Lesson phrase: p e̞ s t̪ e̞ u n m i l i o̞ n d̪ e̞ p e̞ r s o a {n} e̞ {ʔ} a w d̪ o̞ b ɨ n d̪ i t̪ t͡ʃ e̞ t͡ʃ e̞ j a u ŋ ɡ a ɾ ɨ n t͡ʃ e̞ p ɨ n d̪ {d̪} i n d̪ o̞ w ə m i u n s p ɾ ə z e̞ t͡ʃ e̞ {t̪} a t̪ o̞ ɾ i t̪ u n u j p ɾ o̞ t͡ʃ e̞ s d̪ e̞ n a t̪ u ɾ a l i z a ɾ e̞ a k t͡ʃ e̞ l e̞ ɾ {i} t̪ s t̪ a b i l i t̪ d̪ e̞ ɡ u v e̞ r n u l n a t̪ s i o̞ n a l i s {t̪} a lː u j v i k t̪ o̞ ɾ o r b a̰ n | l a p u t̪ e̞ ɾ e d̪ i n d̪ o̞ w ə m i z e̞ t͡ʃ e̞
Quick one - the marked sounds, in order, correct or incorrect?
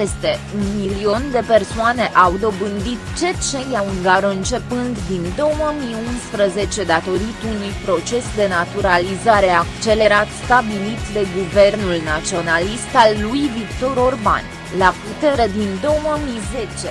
correct, correct, correct, incorrect: d̪, incorrect: a, correct

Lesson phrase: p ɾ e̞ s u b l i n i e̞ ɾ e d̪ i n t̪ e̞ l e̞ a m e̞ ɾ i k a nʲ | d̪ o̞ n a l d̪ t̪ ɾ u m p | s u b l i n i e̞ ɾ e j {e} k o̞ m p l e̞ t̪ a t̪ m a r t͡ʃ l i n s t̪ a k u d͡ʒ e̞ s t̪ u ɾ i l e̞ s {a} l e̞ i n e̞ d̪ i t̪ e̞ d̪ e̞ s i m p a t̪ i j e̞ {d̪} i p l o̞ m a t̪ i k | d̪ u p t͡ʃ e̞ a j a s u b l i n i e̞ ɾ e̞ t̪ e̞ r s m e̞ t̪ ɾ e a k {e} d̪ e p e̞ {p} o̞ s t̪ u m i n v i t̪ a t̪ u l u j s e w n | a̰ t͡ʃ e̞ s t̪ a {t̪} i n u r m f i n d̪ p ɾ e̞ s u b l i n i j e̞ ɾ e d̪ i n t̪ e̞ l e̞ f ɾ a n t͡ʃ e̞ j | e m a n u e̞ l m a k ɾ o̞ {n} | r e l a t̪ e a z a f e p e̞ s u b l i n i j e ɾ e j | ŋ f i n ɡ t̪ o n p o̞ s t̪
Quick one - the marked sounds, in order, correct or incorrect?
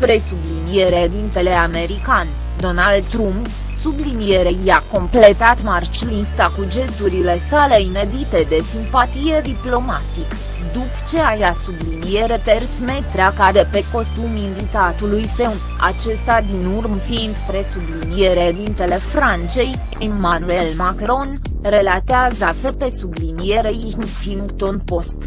incorrect: a, correct, correct, incorrect: a, incorrect: k, incorrect: d̪, correct

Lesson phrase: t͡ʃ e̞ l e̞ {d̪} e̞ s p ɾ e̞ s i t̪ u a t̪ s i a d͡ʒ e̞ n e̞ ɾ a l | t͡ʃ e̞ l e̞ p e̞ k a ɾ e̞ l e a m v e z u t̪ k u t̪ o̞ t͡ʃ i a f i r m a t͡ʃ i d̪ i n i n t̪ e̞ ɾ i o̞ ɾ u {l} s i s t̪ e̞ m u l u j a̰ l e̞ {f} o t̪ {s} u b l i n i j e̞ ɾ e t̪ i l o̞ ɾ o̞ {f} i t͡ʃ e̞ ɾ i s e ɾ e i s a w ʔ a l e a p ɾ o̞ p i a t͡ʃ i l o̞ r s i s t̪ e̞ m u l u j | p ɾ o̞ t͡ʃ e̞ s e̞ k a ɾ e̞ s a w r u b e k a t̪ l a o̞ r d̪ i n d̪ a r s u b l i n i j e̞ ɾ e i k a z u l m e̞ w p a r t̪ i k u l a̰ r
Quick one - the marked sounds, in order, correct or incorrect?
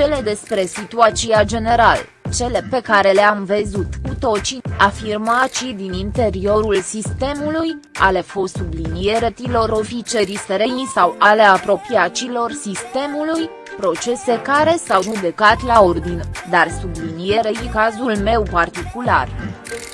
correct, correct, correct, correct, correct

